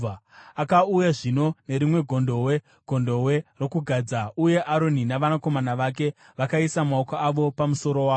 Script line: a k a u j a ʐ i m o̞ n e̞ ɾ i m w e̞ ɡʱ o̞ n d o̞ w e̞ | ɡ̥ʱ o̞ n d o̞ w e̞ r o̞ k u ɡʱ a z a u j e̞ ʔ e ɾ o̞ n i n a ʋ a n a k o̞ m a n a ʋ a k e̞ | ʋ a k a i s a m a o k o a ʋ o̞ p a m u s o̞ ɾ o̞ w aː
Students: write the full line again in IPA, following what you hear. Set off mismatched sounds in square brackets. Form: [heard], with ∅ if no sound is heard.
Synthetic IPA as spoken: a k a u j a ʐ i [n] o̞ n e̞ ɾ i m w e̞ ɡʱ o̞ n d o̞ w e̞ | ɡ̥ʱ o̞ n d o̞ w e̞ r o̞ k u ɡʱ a [d͡z] a u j e̞ ʔ [a] ɾ o̞ n i n a ʋ a n a k o̞ m a n a ʋ a k e̞ | ʋ a k a i s a m a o k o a ʋ o̞ p a m u s o̞ ɾ o̞ w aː

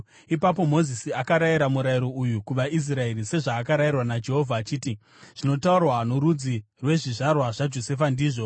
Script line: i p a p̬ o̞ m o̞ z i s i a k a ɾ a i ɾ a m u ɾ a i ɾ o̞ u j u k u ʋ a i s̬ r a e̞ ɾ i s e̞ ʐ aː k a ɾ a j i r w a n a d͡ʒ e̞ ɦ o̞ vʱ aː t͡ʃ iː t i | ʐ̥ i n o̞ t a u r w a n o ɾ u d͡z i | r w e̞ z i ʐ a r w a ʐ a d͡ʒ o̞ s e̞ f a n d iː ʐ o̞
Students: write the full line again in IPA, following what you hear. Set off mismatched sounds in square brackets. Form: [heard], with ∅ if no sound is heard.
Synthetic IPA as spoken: i p a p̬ o̞ m o̞ z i s i a k a ɾ a i ɾ a m u ɾ a i ɾ o̞ u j u k u ʋ a i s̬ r a e̞ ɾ i s e̞ ʐ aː k a ɾ a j i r w a n a d͡ʒ e̞ ɦ o̞ vʱ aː t͡ʃ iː t i | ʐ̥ i n o̞ t a u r w a n o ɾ u d͡z i | r w e̞ [ʐ] i ʐ a r w a ʐ a d͡ʒ o̞ s e̞ f a n d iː ʐ o̞

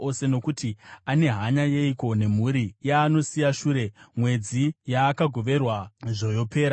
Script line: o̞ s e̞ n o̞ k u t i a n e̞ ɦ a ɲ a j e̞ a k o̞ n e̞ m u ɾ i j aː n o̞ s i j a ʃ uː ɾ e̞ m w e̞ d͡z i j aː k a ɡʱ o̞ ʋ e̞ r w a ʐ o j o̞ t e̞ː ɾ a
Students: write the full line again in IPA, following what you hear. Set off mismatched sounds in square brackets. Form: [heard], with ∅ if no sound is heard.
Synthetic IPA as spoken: o̞ s e̞ n o̞ k u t i a n e̞ ɦ a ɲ a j e̞ [i] k o̞ n e̞ m u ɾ i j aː n o̞ s i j a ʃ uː ɾ e̞ m w e̞ d͡z i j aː k a ɡʱ o̞ ʋ e̞ r w a ʐ o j o̞ [p] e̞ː ɾ a

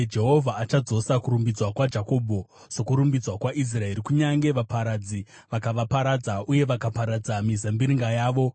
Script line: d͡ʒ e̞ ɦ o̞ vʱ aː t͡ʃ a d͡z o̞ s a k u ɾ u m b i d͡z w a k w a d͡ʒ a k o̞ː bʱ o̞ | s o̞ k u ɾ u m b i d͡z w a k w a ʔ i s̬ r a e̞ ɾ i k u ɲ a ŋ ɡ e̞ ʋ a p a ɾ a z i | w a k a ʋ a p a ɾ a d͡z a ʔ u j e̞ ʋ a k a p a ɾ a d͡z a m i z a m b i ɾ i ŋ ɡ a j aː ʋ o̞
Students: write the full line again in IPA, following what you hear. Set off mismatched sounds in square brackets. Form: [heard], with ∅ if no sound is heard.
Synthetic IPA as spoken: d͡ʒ e̞ ɦ o̞ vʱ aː t͡ʃ a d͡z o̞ s a k u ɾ u m b i d͡z w a k w a d͡ʒ a k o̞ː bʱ o̞ | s o̞ k u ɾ u m b i d͡z w a k w a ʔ i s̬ r a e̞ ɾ i k u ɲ a ŋ ɡ e̞ ʋ a p a ɾ a [d͡z] i | [ʋ] a k a ʋ a p a ɾ a d͡z a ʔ u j e̞ ʋ a k a p a ɾ a d͡z a m i z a m b i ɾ i ŋ ɡ a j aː ʋ o̞

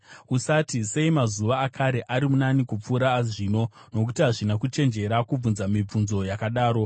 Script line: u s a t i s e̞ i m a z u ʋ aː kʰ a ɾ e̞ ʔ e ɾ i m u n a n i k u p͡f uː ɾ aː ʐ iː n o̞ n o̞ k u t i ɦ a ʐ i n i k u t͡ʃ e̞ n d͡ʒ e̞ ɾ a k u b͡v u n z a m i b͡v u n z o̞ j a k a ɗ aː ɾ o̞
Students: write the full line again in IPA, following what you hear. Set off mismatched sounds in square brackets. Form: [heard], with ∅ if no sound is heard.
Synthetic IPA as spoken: u s a t i s e̞ i m a z u ʋ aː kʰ a ɾ e̞ ʔ [a] ɾ i m u n a n i k u p͡f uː ɾ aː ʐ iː n o̞ n o̞ k u t i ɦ a ʐ i n [a] k u t͡ʃ e̞ n d͡ʒ e̞ ɾ a k u b͡v u n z a m i b͡v u n z o̞ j a k a ɗ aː ɾ o̞

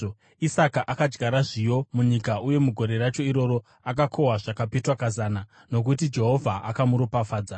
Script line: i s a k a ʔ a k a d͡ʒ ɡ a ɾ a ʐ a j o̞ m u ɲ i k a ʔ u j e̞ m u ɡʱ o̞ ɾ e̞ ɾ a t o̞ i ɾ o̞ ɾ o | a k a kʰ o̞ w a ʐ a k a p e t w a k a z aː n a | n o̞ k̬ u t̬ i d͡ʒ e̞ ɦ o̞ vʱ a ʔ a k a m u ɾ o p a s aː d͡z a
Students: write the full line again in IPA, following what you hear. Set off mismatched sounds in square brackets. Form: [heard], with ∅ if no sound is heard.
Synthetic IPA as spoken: i s a k a ʔ a k a d͡ʒ ɡ a ɾ a ʐ [i] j o̞ m u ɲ i k a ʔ u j e̞ m u ɡʱ o̞ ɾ e̞ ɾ a [t͡ʃ] o̞ i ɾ o̞ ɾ o | a k a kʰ o̞ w a ʐ a k a p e t w a k a z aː n a | n o̞ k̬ u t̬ i d͡ʒ e̞ ɦ o̞ vʱ a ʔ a k a m u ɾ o p a [f] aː d͡z a

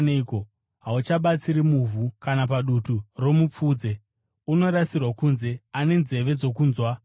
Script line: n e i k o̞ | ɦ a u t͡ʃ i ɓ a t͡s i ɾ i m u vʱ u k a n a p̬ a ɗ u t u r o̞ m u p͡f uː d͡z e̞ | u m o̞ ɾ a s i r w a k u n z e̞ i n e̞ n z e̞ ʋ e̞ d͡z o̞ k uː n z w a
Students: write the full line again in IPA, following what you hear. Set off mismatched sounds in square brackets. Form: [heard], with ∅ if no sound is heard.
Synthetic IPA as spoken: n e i k o̞ | ɦ a u t͡ʃ [a] ɓ a t͡s i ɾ i m u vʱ u k a n a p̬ a ɗ u t u r o̞ m u p͡f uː d͡z e̞ | u [n] o̞ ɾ a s i r w a k u n z e̞ [a] n e̞ n z e̞ ʋ e̞ d͡z o̞ k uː n z w a

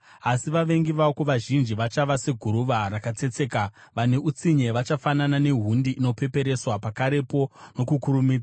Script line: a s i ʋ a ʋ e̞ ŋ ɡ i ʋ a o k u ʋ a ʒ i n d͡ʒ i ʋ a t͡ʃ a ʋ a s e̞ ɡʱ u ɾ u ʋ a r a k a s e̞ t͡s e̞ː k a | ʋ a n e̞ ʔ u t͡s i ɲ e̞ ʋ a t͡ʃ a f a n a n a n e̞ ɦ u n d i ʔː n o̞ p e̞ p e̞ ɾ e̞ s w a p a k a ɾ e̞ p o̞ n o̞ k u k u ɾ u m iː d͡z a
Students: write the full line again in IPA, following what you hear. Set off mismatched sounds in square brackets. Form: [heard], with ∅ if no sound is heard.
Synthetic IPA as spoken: a s i ʋ a ʋ e̞ ŋ ɡ i ʋ a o k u ʋ a ʒ i n d͡ʒ i ʋ a t͡ʃ a ʋ a s e̞ ɡʱ u ɾ u ʋ a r a k a [t͡s] e̞ t͡s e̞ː k a | ʋ a n e̞ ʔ u t͡s i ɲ e̞ ʋ a t͡ʃ a f a n a n a n e̞ ɦ u n d i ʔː n o̞ p e̞ p e̞ ɾ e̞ s w a p a k a ɾ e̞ p o̞ n o̞ k u k u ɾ u m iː d͡z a

